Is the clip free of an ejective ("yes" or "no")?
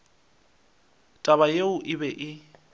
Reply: no